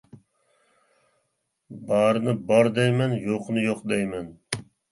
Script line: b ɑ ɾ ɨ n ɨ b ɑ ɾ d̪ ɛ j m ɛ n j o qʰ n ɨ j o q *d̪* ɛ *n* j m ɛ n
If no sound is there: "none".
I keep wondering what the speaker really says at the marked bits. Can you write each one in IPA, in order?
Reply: d̪, none

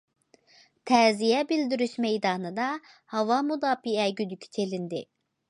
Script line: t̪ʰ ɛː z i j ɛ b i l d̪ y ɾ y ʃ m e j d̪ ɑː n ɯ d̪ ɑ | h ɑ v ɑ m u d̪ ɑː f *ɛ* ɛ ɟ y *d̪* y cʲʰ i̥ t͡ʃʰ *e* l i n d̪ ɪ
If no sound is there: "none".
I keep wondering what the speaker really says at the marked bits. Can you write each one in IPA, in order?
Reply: i, d̪, e

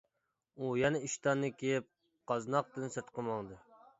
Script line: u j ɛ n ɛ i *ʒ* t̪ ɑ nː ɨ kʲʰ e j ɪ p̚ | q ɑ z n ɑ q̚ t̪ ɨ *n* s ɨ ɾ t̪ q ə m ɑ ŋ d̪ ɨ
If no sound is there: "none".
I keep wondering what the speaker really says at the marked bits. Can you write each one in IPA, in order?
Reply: ʃ, n

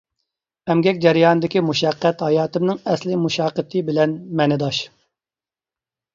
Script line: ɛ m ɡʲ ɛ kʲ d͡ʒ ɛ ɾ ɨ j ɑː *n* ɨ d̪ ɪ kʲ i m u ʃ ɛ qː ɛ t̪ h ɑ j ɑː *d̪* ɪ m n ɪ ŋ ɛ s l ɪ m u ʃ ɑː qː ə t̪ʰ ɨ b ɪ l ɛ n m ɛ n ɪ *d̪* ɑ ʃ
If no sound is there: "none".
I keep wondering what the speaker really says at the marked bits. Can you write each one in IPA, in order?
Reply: n, t̪, d̪

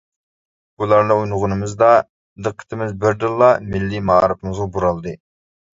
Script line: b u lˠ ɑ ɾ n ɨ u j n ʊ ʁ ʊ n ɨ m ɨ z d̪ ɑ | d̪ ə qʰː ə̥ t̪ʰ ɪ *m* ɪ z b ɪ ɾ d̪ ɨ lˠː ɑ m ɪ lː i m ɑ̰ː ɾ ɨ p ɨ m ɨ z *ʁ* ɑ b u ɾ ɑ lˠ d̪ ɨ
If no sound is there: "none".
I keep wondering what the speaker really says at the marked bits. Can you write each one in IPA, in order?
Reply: m, ʁ

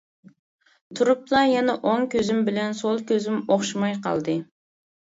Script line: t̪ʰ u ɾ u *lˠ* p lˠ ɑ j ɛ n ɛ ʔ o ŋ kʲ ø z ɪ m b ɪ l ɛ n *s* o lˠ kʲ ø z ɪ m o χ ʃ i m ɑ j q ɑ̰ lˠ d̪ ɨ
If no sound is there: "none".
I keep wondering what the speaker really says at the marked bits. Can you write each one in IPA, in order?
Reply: none, s

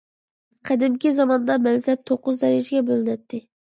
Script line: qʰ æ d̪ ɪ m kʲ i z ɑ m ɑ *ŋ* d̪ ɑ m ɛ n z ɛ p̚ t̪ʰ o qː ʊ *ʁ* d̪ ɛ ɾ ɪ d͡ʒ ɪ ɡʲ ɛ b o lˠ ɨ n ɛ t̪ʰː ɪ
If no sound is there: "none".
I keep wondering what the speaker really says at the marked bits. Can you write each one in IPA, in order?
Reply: n, z

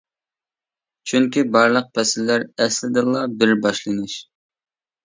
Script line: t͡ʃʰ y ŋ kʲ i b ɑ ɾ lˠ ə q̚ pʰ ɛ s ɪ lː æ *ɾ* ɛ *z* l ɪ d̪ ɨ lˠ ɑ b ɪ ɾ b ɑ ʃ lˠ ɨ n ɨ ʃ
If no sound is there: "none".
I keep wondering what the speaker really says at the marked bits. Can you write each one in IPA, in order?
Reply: ɾ, s

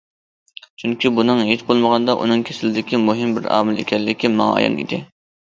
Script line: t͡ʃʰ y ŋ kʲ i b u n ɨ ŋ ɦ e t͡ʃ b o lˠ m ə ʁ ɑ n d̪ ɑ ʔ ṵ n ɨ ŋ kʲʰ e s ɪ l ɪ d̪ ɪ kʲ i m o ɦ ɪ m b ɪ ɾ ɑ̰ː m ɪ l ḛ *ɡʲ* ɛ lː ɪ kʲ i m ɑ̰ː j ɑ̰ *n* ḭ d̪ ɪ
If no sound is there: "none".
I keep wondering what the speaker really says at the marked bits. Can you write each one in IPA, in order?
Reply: kʲ, n

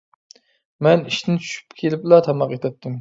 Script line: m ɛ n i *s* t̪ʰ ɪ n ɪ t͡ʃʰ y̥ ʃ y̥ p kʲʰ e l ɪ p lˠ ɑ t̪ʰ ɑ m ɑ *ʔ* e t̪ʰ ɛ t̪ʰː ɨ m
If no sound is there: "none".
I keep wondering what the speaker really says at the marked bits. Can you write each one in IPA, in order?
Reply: ʃ, q

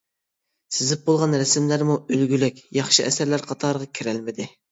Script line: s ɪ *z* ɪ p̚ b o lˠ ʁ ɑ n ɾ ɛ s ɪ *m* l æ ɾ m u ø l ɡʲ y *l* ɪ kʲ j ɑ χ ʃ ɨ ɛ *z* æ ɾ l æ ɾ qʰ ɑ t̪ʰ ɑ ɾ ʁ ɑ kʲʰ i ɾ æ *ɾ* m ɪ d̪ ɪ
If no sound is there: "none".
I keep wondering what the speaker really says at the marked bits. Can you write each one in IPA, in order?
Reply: z, m, l, s, l

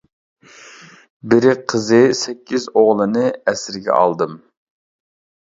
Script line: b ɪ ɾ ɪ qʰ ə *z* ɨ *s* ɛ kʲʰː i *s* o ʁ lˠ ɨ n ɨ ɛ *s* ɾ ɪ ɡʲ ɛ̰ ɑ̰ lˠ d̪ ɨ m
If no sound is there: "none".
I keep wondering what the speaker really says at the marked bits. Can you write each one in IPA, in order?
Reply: z, s, z, s

